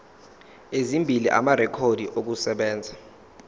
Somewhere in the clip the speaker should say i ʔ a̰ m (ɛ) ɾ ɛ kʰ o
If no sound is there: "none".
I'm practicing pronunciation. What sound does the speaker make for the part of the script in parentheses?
a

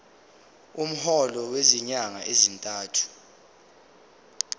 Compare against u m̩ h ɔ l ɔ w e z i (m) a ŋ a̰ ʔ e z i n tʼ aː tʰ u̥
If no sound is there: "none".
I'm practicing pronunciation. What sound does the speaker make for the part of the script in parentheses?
ɲ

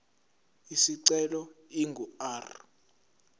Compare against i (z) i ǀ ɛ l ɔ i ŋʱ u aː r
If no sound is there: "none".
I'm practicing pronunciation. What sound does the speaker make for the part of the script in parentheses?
s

